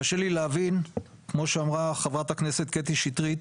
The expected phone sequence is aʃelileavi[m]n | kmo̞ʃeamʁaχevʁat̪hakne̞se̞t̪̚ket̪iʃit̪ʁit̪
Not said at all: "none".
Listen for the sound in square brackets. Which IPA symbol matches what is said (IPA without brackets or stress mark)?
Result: none